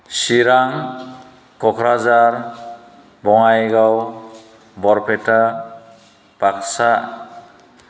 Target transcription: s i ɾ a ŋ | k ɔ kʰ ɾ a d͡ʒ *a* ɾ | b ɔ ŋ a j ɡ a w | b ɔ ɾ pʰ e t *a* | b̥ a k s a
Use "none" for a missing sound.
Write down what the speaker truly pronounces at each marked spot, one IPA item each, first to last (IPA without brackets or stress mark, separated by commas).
a, a